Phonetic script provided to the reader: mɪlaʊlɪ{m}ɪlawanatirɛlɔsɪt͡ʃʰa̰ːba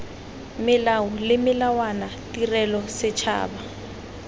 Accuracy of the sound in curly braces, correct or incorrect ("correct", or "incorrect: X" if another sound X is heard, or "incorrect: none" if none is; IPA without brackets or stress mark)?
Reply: correct